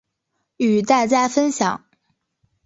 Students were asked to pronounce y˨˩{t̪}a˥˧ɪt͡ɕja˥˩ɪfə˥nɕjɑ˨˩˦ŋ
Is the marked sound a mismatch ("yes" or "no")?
no